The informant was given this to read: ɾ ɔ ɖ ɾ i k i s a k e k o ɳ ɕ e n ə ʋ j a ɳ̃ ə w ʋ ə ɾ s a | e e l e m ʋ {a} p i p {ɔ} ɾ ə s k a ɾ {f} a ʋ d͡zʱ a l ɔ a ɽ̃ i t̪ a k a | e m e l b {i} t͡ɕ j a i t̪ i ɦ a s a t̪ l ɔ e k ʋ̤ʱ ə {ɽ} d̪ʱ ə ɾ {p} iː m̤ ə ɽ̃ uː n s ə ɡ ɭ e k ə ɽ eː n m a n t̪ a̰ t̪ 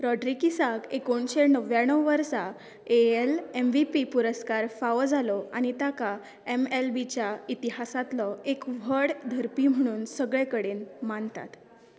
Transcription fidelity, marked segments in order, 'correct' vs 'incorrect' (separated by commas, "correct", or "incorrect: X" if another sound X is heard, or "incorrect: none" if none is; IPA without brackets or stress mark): incorrect: i, incorrect: u, correct, correct, correct, correct